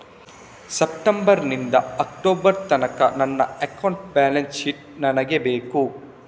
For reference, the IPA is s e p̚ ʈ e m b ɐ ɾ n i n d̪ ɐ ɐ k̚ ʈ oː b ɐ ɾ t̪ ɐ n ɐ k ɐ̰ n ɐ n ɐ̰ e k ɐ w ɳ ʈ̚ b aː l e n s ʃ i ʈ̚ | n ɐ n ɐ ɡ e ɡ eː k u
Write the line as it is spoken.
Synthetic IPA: s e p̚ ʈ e m b ɐ ɾ n i n d̪ ɐ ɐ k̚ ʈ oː b ɐ ɾ t̪ ɐ n ɐ k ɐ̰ n ɐ nː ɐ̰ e k ɐ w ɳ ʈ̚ b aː l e n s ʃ i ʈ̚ | n ɐ n ɐ ɡ e b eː k u